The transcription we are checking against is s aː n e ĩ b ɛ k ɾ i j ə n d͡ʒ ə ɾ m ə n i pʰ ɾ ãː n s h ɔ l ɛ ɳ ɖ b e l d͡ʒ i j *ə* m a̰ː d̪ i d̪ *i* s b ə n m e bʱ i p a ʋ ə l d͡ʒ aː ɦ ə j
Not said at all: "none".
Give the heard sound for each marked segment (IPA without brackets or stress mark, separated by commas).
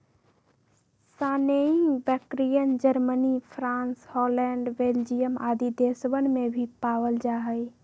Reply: ə, e